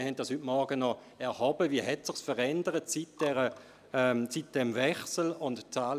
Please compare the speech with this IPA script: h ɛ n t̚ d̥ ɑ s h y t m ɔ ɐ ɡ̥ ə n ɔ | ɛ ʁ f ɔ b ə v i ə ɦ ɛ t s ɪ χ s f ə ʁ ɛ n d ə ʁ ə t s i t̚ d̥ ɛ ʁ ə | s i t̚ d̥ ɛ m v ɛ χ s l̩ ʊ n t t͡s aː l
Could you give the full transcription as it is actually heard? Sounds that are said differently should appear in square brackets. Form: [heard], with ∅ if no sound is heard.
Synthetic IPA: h ɛ n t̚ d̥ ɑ s h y t m ɔ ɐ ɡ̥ ə n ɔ | ɛ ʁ [h] ɔ b ə v i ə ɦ ɛ t s ɪ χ s f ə ʁ ɛ n d ə ʁ ə t s i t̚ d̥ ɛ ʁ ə | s i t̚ d̥ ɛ m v ɛ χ s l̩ ʊ n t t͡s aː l